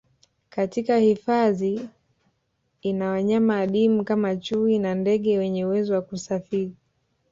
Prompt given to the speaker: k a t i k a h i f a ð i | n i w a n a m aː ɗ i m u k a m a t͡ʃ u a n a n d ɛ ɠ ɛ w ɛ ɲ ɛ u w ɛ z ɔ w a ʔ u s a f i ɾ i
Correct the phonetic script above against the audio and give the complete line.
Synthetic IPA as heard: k a t i k a h i f a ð i | n a w a ɲ a m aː ɗ i m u k a m a t͡ʃ u i n a n d ɛ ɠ ɛ w ɛ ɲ ɛ u w ɛ z ɔ w a k u s a f i ɾ i

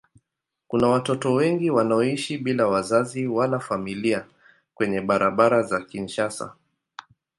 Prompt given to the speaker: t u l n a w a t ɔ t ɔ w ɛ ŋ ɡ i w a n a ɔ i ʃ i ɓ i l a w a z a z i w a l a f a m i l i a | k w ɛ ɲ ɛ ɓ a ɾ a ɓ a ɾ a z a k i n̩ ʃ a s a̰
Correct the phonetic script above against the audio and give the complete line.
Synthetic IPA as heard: k u n a w a t ɔ t ɔ w ɛ ŋ ɡ i w a n a ɔ i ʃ i ɓ i l a w a z a z i w a l a f a m i l i a | k w ɛ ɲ ɛ ɓ a ɾ a ɓ a ɾ a z a k i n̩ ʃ a s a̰

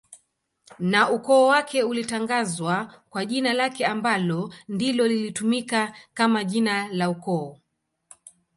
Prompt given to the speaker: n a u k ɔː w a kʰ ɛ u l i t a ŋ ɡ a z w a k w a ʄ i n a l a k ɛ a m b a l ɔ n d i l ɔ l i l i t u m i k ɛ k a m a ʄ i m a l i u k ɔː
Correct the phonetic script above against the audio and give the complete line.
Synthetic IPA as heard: n a u k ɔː w a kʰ ɛ u l i t a ŋ ɡ a z w a k w a ʄ i n a l a k ɛ a m b a l ɔ n d i l ɔ l i l i t u m i k a k a m a ʄ i n a l a u k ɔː

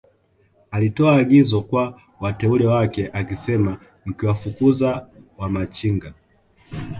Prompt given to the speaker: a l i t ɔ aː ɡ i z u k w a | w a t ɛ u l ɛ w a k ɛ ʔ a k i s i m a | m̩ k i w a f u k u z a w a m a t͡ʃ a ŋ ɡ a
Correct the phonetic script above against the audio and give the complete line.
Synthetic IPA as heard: a l i t ɔ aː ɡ i z ɔ k w a | w a t ɛ u l ɛ w a k ɛ ʔ a k i s ɛ m a | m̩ k i w a f u k u z a w a m a t͡ʃ i ŋ ɡ a

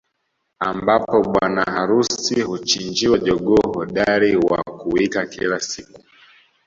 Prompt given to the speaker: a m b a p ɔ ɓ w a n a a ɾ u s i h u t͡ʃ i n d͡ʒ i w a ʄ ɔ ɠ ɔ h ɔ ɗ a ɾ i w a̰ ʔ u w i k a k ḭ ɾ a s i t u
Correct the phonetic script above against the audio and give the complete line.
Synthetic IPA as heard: a m b a p ɔ ɓ w a n a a ɾ u s i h u t͡ʃ i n d͡ʒ i w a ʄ ɔ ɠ ɔ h ɔ ɗ a ɾ i w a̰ k u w i k a k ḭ l a s i k u

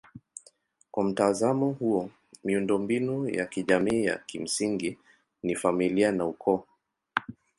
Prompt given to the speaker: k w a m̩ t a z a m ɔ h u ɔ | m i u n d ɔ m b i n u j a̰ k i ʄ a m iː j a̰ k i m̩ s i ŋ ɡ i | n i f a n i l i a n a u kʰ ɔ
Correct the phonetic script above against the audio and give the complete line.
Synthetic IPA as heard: k w a m̩ t a z a m ɔ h u ɔ | m i u n d ɔ m b i n u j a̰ k i ʄ a m iː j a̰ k i m̩ s i ŋ ɡ i | n i f a m i l i a n a u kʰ ɔ

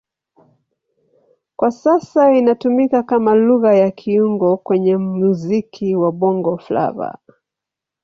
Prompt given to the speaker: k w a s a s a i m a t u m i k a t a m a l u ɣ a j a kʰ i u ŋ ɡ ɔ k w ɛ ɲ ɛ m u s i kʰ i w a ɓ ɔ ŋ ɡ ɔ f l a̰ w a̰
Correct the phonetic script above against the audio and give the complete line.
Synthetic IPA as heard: k w a s a s a i n a t u m i k a k a m a l u ɣ a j a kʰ i u ŋ ɡ ɔ k w ɛ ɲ ɛ m u z i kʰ i w a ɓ ɔ ŋ ɡ ɔ f l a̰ v a̰

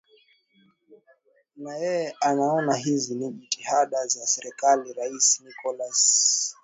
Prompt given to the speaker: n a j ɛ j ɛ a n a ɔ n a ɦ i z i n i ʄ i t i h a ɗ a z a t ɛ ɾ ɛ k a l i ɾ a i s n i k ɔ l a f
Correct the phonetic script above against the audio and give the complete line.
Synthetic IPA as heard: n a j ɛ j ɛ a n a ɔ n a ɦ i z i n i ʄ i t i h a ɗ a z a s ɛ ɾ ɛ k a l i ɾ a i s n i k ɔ l a s

